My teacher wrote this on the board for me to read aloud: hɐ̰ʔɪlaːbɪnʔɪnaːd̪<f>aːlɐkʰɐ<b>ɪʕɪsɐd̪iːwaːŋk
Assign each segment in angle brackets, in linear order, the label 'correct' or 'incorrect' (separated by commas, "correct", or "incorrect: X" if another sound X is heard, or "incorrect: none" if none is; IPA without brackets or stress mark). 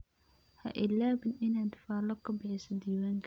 correct, correct